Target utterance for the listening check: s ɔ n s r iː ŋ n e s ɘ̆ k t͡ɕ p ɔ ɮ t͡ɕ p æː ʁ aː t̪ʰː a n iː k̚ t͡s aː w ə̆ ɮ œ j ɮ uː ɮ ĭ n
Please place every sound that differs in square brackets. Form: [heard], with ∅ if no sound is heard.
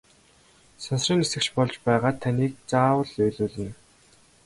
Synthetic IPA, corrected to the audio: s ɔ n s r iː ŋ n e s ɘ̆ k t͡ɕ p ɔ ɮ t͡ɕ p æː ʁ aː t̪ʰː a n iː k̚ t͡s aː w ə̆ ɮ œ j ɮ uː ɮ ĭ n